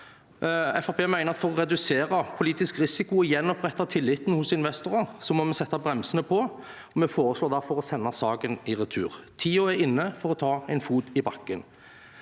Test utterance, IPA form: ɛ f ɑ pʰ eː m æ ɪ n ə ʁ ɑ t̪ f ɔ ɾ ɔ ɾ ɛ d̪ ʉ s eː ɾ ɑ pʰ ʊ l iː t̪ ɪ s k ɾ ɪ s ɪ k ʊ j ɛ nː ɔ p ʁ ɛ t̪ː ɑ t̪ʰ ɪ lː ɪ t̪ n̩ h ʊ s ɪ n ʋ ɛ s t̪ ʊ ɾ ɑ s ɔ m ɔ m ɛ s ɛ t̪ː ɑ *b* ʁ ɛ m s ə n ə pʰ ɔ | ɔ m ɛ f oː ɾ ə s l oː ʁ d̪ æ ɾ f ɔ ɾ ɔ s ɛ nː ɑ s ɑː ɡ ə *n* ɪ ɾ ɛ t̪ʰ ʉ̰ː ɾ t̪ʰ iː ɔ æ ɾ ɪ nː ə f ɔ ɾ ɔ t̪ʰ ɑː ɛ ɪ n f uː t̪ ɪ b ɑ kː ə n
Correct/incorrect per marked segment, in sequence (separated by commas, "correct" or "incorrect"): correct, correct